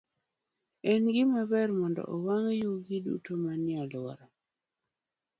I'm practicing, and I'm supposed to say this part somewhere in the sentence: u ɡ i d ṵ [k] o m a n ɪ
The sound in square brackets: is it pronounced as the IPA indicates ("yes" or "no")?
no